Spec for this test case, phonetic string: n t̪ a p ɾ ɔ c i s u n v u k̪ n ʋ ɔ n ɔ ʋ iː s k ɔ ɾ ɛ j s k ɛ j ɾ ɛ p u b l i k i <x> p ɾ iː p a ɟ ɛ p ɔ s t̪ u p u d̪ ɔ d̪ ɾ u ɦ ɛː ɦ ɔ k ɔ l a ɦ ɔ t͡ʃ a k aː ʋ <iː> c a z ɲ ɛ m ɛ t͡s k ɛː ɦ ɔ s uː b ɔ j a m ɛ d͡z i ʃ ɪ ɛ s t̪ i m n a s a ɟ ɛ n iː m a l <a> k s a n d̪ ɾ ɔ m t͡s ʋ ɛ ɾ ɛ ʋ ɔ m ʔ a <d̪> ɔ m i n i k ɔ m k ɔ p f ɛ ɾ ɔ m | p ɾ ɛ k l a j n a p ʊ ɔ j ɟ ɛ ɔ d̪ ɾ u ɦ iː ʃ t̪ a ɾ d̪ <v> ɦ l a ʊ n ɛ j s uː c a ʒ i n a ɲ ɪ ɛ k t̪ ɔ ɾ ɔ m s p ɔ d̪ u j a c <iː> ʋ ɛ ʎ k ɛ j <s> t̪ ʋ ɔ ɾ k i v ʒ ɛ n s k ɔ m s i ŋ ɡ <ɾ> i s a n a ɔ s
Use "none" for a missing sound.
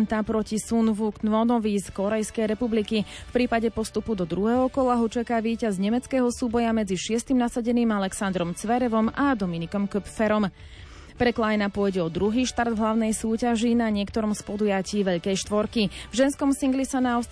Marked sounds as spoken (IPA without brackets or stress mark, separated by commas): f, iː, ɛ, d̪, v, iː, ʃ, l